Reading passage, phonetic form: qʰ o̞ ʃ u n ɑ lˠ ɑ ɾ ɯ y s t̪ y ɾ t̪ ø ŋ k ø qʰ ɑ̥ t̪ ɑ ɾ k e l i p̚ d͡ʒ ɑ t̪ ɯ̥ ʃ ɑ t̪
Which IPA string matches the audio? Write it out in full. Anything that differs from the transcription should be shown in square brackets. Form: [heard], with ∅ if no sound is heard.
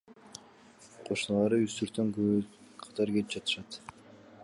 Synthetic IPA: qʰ o̞ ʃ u n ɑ lˠ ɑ ɾ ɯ y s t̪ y ɾ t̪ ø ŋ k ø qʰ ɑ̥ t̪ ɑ ɾ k e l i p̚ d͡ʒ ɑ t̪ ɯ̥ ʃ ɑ t̪